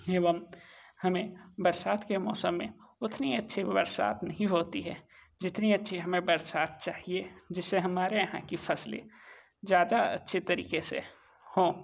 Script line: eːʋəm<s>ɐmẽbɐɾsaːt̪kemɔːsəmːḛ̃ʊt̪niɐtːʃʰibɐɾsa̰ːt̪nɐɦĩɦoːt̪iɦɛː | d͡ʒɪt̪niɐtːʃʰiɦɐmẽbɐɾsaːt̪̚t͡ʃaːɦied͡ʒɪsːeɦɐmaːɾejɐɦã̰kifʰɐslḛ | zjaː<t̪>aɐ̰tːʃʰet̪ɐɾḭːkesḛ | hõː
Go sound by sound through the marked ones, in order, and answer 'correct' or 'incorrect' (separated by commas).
incorrect, incorrect